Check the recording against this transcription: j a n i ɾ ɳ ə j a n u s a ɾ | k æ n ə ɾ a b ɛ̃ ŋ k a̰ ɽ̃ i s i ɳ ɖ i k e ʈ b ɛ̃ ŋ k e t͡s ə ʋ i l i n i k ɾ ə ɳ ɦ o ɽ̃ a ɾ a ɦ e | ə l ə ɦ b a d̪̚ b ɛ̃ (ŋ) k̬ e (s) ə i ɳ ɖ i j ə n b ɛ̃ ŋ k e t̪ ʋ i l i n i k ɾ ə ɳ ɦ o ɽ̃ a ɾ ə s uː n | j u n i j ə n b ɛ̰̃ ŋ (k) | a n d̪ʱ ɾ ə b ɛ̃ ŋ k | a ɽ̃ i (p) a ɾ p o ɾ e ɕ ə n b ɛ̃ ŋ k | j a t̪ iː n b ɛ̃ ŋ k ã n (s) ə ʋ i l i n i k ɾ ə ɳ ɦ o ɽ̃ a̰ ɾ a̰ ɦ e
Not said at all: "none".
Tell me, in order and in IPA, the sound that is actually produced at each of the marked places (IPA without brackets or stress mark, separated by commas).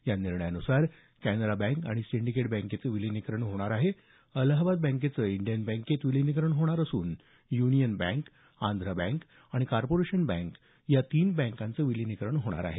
ŋ, t͡s, k, k, t͡s